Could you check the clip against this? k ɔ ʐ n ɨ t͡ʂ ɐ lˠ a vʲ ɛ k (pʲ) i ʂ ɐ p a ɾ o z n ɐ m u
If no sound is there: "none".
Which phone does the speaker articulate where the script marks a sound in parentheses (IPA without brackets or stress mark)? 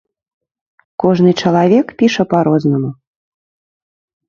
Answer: pʲ